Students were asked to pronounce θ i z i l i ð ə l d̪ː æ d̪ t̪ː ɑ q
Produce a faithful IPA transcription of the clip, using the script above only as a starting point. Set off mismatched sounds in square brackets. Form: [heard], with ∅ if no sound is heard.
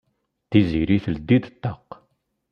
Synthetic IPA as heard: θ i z i [ɾ] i [θ] ə l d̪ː [i] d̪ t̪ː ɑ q